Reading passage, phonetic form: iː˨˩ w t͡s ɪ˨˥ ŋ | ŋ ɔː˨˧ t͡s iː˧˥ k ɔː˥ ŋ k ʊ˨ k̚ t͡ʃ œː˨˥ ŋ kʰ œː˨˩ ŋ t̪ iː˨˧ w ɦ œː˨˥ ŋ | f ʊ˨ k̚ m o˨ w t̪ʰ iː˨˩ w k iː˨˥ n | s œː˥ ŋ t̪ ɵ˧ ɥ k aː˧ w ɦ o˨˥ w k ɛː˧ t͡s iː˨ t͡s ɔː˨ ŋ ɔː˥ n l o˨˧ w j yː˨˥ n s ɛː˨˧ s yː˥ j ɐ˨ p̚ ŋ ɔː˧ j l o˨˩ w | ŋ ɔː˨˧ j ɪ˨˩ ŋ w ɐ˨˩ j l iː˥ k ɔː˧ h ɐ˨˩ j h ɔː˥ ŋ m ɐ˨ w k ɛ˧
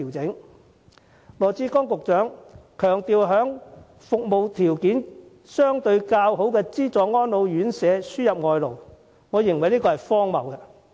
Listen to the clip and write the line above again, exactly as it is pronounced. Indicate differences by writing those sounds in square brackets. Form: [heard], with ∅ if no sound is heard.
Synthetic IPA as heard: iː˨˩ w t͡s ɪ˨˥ ŋ | ŋ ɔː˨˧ t͡s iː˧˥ k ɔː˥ ŋ k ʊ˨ k̚ t͡ʃ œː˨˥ ŋ kʰ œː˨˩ ŋ t̪ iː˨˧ w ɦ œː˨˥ ŋ | f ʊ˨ k̚ m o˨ w t̪ʰ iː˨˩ w k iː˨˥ n | s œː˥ ŋ t̪ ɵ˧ ɥ k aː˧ w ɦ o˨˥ w k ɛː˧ t͡s [iː˥] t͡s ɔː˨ ŋ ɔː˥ n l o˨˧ w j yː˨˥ n s ɛː˨˧ s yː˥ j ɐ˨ p̚ ŋ ɔː˧ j l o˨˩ w | ŋ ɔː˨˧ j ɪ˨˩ ŋ w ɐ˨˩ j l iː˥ k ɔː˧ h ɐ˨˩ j [f] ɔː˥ ŋ m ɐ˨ w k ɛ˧

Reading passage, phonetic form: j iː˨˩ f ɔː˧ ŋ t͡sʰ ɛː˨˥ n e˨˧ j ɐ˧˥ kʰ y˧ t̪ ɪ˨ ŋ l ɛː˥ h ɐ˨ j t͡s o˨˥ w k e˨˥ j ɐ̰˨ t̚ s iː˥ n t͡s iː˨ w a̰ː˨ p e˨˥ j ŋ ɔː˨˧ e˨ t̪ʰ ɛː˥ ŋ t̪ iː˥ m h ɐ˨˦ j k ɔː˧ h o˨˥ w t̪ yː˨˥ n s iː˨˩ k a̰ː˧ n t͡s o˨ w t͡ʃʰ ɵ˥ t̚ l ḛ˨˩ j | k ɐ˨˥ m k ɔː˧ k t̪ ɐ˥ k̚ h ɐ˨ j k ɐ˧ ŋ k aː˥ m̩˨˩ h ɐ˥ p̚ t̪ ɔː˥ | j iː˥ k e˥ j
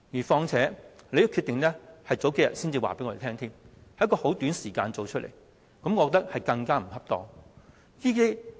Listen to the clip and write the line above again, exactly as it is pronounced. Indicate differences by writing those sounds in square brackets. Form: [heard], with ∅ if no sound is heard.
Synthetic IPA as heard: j iː˨˩ f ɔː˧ ŋ t͡sʰ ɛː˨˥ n e˨˧ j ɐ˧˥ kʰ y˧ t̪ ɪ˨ ŋ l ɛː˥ h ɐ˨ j t͡s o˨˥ w k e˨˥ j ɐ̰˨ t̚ s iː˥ n t͡s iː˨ w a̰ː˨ p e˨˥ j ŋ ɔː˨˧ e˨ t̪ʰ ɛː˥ ŋ [t̪ʰ] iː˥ m h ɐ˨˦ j k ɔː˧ h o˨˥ w t̪ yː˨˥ n s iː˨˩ k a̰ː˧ n t͡s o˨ w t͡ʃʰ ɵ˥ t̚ l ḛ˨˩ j | k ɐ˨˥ m k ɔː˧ k t̪ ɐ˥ k̚ h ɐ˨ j k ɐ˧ ŋ k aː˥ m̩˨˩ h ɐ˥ p̚ t̪ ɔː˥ | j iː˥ k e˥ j

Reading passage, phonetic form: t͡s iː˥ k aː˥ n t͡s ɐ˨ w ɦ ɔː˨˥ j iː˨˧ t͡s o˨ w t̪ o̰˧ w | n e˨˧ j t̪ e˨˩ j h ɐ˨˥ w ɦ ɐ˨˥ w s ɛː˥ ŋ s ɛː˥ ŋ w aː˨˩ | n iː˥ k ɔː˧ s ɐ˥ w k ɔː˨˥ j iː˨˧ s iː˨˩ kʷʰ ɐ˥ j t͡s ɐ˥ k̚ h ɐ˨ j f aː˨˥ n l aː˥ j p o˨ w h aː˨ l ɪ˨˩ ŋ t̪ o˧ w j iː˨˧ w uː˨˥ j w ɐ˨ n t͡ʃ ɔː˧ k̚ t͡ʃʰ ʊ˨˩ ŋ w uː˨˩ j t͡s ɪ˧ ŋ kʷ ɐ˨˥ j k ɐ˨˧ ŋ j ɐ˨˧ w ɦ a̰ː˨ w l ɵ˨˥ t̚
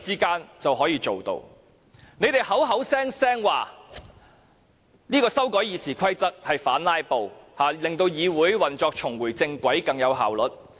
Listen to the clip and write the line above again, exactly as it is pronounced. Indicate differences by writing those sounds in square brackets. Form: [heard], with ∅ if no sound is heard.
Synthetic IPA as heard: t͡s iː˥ k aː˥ n t͡s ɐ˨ w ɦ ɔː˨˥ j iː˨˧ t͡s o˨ w t̪ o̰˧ w | n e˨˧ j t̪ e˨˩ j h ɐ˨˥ w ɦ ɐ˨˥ w s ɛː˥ ŋ s ɛː˥ ŋ w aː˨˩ | n iː˥ k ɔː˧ s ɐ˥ w k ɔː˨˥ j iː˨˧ s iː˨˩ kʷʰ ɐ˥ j t͡s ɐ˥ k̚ h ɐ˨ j f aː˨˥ n l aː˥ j p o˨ w h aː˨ l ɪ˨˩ ŋ t̪ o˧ w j iː˨˧ w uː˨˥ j w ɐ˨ n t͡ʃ ɔː˧ k̚ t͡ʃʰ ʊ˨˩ ŋ w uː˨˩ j t͡s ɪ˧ ŋ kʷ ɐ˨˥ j k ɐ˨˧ ŋ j ɐ˨˧ w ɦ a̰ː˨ w l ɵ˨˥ t̚

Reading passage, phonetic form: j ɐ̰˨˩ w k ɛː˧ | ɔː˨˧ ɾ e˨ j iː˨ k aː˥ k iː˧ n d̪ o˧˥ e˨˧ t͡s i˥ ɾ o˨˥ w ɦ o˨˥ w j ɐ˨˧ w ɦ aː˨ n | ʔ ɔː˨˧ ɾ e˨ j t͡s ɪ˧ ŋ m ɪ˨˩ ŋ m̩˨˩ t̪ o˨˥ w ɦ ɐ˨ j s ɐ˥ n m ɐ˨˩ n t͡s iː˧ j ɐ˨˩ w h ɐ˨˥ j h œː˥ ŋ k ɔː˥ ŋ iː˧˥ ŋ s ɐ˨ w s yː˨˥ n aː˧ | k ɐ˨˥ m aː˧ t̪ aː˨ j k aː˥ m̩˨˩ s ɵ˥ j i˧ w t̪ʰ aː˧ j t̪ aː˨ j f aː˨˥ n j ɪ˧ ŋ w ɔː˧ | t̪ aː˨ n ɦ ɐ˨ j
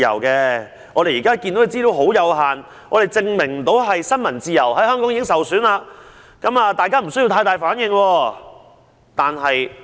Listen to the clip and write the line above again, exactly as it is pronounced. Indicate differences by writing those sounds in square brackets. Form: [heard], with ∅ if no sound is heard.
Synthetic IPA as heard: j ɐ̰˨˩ w k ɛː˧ | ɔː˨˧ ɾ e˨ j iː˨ k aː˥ k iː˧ n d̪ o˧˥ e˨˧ t͡s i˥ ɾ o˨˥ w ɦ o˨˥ w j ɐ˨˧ w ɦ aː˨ n | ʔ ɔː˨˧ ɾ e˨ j t͡s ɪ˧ ŋ m ɪ˨˩ ŋ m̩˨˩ t̪ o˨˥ w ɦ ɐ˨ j s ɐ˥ n m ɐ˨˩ n t͡s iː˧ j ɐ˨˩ w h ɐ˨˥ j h œː˥ ŋ k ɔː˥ ŋ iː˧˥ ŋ s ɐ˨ w s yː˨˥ n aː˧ | k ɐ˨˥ m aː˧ t̪ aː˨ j k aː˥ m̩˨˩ s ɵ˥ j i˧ w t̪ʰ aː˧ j t̪ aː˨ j f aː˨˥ n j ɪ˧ ŋ w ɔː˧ | t̪ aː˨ n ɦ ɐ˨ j

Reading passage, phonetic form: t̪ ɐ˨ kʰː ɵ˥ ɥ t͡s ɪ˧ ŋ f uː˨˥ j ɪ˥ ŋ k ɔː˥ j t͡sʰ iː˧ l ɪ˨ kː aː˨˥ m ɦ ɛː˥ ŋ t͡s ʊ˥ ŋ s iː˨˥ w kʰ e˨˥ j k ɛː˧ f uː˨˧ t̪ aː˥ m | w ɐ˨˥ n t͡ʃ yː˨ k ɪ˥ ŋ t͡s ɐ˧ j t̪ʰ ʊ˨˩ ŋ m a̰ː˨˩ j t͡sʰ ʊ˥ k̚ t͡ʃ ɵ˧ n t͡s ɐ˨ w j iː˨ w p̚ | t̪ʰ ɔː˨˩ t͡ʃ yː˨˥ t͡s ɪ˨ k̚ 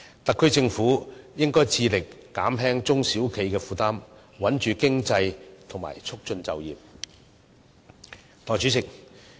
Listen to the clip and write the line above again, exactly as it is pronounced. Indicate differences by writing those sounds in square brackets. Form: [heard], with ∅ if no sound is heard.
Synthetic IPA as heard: t̪ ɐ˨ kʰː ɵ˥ ɥ t͡s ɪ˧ ŋ f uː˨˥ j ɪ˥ ŋ k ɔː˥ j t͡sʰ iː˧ l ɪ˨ kː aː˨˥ m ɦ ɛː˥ ŋ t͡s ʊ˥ ŋ s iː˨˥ w kʰ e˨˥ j k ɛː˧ f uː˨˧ t̪ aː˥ m | w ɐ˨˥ n t͡ʃ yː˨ k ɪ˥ ŋ t͡s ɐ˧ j t̪ʰ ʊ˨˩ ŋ m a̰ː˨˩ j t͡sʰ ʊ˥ k̚ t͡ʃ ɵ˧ n t͡s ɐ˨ w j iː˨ [∅] p̚ | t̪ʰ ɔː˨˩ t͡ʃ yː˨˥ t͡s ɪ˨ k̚

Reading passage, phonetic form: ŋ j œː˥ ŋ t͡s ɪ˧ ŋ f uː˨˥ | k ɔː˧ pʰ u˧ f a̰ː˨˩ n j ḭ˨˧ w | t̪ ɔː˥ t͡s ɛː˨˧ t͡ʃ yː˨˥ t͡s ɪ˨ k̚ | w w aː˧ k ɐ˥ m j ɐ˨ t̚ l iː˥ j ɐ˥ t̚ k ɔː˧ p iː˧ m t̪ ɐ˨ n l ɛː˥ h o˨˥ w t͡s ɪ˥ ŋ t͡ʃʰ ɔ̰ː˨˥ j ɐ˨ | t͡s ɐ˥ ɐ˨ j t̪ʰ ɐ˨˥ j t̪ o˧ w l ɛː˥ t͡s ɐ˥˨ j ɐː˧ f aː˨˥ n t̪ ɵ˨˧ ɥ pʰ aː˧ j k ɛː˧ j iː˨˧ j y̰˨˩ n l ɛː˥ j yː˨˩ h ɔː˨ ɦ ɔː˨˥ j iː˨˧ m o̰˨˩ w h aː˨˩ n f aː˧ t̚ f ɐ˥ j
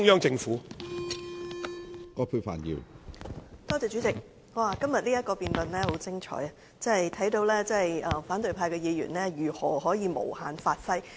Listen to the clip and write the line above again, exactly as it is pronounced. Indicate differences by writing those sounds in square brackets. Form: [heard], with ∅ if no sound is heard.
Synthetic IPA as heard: ŋ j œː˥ ŋ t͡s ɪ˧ ŋ f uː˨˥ | k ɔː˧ pʰ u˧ f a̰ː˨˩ n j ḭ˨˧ w | t̪ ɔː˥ t͡s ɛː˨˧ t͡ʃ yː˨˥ t͡s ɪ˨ k̚ | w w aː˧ k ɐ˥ m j ɐ˨ t̚ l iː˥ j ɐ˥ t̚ k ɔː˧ p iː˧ [n] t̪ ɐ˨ n l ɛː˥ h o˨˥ w t͡s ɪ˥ ŋ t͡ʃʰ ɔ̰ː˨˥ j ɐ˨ | t͡s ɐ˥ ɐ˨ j t̪ʰ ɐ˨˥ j t̪ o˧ w l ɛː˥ t͡s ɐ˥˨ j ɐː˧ f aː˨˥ n t̪ ɵ˨˧ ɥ pʰ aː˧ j k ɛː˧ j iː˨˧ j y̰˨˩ n l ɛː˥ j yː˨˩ h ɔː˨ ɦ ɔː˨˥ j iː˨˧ m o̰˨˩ w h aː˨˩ n f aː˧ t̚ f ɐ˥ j

